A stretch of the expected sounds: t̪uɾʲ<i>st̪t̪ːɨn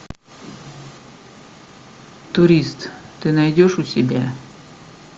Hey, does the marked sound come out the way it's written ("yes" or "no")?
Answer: yes